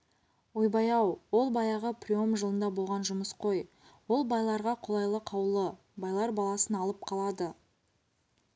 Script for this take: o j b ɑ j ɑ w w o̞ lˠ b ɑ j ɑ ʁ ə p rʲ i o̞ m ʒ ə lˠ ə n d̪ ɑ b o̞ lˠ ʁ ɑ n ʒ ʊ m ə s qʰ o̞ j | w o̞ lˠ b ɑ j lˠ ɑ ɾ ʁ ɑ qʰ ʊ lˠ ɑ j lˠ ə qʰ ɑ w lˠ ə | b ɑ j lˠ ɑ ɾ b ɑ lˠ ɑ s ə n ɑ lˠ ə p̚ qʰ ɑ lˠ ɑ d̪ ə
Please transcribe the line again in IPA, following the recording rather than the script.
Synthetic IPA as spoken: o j b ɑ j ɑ w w o̞ lˠ b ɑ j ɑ ʁ ə p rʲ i o̞ m ʒ ə lˠ ə n d̪ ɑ b o̞ lˠ ʁ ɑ n ʒ ʊ m ə s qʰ o̞ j | w o̞ lˠ b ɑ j lˠ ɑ ɾ ʁ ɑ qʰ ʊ lˠ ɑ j lˠ ə qʰ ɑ w lˠ ə | b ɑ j lˠ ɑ ɾ b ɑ lˠ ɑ s ə n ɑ lˠ ə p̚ qʰ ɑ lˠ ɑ d̪ ə